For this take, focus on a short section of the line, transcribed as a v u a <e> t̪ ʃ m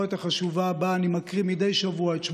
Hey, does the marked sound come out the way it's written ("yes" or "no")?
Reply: yes